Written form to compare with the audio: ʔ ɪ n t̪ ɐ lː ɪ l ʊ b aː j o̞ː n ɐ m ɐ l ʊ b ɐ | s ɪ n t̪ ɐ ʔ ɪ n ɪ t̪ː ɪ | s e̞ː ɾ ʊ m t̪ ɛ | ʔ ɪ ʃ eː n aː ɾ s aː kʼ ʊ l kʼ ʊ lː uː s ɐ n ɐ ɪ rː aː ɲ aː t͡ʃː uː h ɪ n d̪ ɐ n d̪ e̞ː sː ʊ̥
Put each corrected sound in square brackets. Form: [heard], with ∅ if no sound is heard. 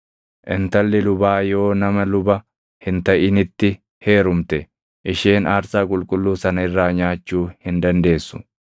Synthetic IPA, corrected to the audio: ʔ ɪ n t̪ ɐ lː ɪ l ʊ b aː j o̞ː n ɐ m ɐ l ʊ b ɐ | [h] ɪ n t̪ ɐ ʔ ɪ n ɪ t̪ː ɪ | [h] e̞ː ɾ ʊ m t̪ ɛ | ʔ ɪ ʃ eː n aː ɾ s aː kʼ ʊ l kʼ ʊ lː uː s ɐ n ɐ ɪ rː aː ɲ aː t͡ʃː uː h ɪ n d̪ ɐ n d̪ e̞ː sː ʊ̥